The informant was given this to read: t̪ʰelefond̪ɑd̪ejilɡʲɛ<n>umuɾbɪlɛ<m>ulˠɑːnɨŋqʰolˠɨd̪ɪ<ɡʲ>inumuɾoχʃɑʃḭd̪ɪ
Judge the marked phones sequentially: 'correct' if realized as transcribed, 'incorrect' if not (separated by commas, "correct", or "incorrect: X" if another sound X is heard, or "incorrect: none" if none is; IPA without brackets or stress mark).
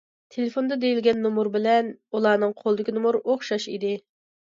incorrect: nː, incorrect: n, incorrect: kʲ